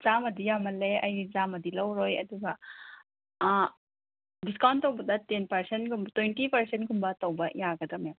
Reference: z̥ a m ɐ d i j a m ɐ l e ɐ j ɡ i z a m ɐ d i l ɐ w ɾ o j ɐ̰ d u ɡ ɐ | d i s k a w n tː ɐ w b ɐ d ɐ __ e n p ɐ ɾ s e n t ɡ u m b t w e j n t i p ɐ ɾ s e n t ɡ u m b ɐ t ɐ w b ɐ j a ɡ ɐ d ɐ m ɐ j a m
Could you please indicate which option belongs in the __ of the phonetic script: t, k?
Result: t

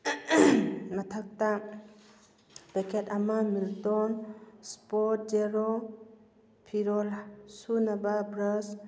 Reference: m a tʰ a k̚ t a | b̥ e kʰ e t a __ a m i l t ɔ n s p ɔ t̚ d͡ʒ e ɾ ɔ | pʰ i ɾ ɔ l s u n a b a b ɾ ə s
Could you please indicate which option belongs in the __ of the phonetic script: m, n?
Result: m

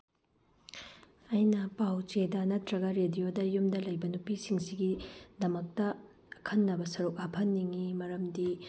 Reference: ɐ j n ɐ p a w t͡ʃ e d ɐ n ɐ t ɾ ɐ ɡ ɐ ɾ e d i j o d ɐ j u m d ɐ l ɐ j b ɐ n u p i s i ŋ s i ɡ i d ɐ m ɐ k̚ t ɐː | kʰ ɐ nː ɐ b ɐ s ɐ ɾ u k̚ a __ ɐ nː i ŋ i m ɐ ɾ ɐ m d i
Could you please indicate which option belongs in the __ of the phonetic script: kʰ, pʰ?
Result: pʰ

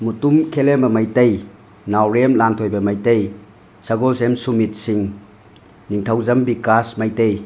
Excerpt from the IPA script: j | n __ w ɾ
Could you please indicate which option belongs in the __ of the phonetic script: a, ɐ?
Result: a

